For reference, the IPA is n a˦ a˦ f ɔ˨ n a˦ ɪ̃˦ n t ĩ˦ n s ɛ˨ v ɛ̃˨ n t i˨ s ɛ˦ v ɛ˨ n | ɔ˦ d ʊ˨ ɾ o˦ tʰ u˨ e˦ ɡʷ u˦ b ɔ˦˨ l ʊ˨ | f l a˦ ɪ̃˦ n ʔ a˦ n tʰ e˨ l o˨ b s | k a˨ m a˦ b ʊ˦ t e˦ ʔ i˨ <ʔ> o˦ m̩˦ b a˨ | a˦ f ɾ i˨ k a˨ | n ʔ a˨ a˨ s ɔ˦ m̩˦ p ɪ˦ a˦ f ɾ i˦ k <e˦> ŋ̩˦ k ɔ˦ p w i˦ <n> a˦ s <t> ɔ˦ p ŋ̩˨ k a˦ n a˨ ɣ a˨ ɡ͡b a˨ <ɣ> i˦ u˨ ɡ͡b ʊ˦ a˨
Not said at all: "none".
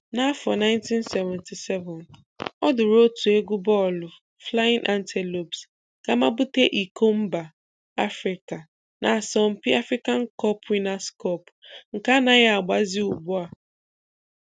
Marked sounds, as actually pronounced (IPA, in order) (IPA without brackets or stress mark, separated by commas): k, a˦, n, k, z